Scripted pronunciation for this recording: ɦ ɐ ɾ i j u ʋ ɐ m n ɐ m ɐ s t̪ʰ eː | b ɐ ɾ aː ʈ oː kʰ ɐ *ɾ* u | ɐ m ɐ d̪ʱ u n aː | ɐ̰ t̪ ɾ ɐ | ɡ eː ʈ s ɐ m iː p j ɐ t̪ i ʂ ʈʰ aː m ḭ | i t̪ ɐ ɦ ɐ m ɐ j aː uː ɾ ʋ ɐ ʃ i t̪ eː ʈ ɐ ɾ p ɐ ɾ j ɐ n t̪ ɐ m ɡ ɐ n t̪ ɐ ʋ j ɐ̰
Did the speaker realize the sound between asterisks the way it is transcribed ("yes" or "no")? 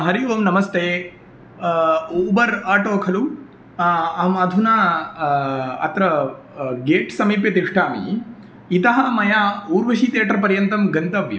no